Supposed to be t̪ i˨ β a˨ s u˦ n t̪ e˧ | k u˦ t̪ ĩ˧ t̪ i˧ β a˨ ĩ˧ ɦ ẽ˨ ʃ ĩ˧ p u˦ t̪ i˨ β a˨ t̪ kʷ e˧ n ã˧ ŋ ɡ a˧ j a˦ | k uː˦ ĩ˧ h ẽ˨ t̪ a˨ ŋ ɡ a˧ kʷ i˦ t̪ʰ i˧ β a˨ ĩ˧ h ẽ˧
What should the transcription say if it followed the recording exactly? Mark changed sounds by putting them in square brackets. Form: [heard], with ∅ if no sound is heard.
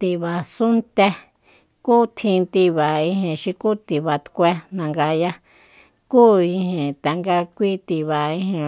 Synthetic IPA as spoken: t̪ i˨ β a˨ s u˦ n t̪ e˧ | k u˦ [t̪ʰ] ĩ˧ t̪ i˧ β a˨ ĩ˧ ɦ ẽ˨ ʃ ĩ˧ [k] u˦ t̪ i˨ β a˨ t̪ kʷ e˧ n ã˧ ŋ ɡ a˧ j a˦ | k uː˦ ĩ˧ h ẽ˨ t̪ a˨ ŋ ɡ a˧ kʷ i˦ [t̪] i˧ β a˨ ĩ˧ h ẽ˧